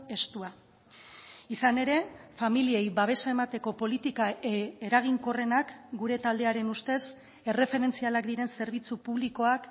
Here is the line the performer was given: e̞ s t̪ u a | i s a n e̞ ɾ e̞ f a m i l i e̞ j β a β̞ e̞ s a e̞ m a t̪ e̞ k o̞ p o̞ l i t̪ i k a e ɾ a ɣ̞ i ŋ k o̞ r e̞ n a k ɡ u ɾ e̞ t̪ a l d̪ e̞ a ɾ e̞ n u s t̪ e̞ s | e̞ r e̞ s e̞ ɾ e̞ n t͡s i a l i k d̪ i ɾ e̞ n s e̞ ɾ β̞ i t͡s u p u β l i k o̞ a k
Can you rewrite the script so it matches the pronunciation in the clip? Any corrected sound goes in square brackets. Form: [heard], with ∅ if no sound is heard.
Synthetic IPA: e̞ s t̪ u a | i s a n e̞ ɾ e̞ f a m i l i e̞ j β a β̞ e̞ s a e̞ m a t̪ e̞ k o̞ p o̞ l i t̪ i k a e ɾ a ɣ̞ i ŋ k o̞ r e̞ n a k ɡ u ɾ e̞ t̪ a l d̪ e̞ a ɾ e̞ n u s t̪ e̞ s | e̞ r e̞ [f] e̞ ɾ e̞ n t͡s i a l [a] k d̪ i ɾ e̞ n s e̞ ɾ β̞ i t͡s u p u β l i k o̞ a k